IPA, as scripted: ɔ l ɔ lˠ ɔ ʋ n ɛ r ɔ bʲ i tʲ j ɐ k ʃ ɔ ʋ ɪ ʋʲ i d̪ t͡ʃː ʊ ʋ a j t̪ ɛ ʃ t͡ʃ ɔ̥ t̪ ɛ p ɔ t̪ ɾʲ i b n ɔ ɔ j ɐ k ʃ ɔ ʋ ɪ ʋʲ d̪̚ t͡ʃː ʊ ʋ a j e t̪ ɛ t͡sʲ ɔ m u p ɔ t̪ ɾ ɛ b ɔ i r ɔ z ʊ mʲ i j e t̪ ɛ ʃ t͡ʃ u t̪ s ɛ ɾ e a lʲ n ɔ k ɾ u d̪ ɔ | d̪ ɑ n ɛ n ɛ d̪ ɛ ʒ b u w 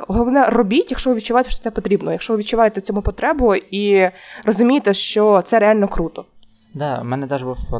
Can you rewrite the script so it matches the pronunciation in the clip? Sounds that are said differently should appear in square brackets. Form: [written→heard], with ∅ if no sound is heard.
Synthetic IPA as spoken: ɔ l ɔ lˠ ɔ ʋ n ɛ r ɔ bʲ i tʲ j ɐ k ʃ ɔ ʋ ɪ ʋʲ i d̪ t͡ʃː ʊ ʋ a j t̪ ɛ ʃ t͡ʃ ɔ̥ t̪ ɛ p ɔ t̪ ɾʲ i b n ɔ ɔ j ɐ k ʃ ɔ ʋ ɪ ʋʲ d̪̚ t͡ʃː ʊ ʋ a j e t̪ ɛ t͡sʲ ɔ m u p ɔ t̪ ɾ ɛ b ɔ i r ɔ z ʊ mʲ i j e t̪ ɛ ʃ t͡ʃ [u→ɔ] t̪ s ɛ ɾ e a lʲ n ɔ k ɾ u [d̪→t̪] ɔ | d̪ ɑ [n→m] ɛ n ɛ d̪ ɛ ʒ b u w